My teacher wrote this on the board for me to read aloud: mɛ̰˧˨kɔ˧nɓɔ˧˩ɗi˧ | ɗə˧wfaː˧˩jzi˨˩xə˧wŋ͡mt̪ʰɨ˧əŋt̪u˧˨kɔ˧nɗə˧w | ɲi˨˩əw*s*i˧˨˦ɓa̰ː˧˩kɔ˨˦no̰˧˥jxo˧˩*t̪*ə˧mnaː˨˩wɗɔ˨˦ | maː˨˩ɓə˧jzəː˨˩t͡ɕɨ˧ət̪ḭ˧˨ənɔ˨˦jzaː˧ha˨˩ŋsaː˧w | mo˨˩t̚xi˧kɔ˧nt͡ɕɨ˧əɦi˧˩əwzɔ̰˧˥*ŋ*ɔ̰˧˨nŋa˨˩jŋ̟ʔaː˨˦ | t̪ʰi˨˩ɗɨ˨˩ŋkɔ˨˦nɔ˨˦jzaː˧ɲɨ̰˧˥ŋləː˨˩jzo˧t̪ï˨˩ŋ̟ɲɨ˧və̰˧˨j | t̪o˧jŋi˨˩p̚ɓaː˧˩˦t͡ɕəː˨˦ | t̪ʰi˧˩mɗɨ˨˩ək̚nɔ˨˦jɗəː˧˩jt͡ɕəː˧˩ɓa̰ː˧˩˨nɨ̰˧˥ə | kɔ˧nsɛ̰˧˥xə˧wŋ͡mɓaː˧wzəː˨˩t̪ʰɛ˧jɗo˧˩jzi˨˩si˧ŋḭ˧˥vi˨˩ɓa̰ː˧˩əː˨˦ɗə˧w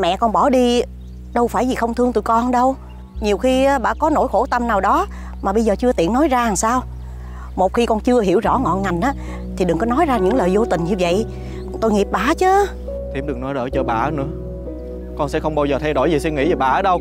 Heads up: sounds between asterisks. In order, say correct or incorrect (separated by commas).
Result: incorrect, correct, correct